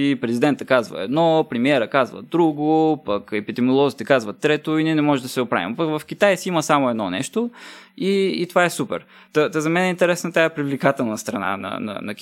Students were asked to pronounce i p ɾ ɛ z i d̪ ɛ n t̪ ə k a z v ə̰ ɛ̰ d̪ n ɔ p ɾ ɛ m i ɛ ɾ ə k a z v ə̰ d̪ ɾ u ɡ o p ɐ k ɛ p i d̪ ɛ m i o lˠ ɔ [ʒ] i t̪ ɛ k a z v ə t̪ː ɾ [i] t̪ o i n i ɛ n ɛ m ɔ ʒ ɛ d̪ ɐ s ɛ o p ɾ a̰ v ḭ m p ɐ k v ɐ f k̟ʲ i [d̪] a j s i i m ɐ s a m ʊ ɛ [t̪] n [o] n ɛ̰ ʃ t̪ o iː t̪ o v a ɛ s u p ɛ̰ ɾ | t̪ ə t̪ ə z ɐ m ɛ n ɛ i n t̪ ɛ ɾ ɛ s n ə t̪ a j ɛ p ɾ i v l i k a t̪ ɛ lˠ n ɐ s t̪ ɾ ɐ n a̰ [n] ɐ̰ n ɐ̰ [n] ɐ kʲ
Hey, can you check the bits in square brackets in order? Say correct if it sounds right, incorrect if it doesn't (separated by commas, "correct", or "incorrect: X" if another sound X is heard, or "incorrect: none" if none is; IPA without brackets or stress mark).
incorrect: z, incorrect: ɛ, incorrect: t̪, incorrect: d̪, incorrect: ɔ, correct, correct